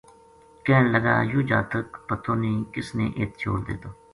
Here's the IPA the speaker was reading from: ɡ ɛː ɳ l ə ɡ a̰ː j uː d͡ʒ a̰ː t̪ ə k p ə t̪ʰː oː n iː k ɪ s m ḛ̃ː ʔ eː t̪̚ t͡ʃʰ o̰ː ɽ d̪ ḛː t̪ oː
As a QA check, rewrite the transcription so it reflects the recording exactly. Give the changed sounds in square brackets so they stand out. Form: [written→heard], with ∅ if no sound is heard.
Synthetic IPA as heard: [ɡ→k] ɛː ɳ l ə ɡ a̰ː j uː d͡ʒ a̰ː t̪ ə k p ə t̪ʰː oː n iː k ɪ s [m→n] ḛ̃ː ʔ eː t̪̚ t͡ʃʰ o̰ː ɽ d̪ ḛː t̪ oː